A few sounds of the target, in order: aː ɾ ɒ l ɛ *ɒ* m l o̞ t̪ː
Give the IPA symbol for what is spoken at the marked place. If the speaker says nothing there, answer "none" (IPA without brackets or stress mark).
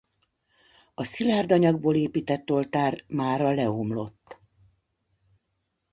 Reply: o